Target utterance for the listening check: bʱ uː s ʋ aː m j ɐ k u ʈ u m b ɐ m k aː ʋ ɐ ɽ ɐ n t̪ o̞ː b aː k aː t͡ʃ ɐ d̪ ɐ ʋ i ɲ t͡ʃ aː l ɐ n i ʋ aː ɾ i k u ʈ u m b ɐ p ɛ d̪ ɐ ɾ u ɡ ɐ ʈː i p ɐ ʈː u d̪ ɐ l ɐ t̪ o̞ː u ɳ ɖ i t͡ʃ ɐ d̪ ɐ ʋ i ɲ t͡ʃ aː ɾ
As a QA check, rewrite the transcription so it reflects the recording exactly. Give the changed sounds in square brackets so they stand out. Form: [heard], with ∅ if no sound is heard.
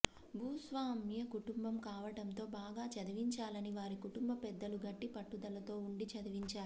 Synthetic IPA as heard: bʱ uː s ʋ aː m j ɐ k u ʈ u m b ɐ m k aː ʋ ɐ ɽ ɐ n t̪ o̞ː b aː [ɡ] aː t͡ʃ ɐ d̪ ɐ ʋ i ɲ t͡ʃ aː l ɐ n i ʋ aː ɾ i k u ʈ u m b ɐ p ɛ [d̪ː] ɐ [l] u ɡ ɐ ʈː i p ɐ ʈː u d̪ ɐ l ɐ t̪ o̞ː u ɳ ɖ i t͡ʃ ɐ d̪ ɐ ʋ i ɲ t͡ʃ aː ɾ